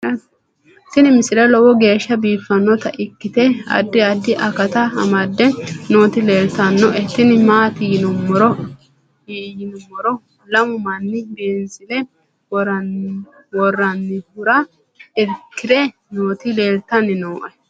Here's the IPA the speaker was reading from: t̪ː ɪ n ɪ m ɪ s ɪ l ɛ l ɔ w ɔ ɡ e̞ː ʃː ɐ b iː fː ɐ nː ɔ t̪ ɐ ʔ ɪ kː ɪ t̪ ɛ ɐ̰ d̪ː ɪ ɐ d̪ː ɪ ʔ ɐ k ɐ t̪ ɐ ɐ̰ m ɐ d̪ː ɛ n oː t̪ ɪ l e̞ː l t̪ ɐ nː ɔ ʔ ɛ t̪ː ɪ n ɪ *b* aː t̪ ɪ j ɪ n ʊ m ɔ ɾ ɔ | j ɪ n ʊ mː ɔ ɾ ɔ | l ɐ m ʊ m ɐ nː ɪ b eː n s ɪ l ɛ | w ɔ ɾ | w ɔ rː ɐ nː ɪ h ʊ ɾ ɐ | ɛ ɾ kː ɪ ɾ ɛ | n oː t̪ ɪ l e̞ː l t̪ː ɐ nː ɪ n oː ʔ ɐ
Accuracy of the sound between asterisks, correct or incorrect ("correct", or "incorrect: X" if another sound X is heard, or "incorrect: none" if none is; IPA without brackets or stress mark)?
incorrect: m